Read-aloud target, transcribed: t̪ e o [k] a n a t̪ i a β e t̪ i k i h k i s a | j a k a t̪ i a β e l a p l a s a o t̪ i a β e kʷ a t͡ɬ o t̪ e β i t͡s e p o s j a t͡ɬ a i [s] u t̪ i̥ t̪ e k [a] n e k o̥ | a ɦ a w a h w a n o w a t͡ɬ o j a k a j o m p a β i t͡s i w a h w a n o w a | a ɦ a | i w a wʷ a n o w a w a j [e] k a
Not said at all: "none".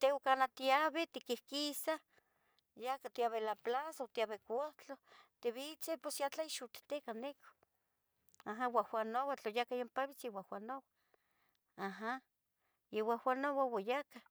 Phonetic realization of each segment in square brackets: k, ʃ, a, a

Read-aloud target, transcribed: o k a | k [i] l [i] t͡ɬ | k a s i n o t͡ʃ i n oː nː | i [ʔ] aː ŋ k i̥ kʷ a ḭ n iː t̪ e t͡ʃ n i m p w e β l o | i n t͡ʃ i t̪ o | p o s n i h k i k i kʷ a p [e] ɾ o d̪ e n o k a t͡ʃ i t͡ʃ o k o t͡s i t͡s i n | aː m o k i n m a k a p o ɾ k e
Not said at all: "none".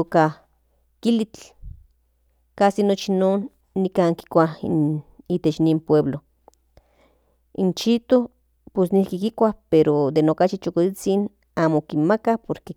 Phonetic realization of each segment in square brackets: i, i, k, e

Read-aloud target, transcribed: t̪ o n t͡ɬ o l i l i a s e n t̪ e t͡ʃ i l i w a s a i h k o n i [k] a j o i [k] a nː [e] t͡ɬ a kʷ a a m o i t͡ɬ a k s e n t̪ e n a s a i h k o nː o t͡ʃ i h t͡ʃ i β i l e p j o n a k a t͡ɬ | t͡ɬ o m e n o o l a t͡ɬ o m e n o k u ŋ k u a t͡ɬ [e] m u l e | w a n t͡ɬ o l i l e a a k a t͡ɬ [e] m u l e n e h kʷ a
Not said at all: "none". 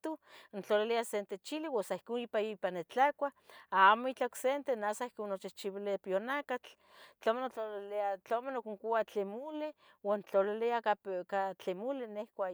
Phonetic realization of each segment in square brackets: p, p, e, e, e

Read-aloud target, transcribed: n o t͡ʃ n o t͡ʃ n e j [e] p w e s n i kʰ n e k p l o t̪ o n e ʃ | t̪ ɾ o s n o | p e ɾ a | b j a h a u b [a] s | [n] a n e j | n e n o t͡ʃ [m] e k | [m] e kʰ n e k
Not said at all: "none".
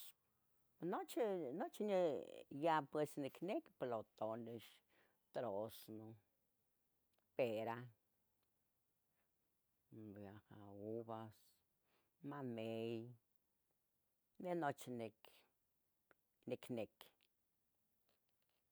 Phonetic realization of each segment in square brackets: a, a, m, n, n

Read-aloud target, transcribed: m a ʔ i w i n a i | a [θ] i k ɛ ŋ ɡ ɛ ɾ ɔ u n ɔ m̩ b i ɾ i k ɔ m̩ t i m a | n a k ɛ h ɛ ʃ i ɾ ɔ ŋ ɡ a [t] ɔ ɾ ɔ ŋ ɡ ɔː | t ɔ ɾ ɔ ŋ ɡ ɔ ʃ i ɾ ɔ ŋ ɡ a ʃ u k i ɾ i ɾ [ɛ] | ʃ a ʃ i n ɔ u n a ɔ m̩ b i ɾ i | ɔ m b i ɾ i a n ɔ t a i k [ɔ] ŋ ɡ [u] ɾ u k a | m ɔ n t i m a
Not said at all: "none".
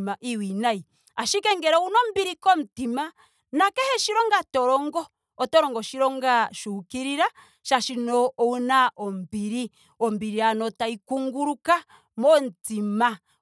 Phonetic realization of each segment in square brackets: ʃ, t, a, u, u

